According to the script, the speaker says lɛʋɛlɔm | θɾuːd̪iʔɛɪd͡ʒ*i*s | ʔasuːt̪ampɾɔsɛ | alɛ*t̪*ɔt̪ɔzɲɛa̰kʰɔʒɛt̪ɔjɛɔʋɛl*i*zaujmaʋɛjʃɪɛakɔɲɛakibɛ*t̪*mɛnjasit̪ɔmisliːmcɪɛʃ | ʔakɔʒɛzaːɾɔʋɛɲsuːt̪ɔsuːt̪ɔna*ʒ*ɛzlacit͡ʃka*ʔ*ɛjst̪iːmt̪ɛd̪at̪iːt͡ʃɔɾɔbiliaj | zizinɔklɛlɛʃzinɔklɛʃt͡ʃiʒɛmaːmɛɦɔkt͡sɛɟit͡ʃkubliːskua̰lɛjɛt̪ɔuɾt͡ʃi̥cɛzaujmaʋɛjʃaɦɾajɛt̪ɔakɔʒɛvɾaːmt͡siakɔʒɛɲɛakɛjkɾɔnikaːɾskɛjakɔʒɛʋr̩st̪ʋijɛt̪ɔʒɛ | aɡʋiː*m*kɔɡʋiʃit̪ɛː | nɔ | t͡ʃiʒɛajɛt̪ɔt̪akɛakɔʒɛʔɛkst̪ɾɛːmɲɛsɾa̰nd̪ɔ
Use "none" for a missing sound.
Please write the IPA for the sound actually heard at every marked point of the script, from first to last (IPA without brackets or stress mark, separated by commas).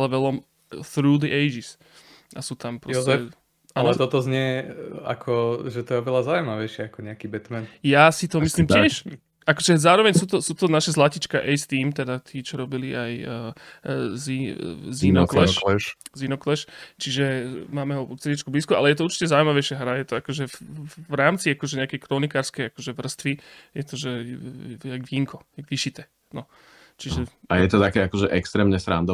i, t̪, a, t̪, ʃ, ʔ, ŋ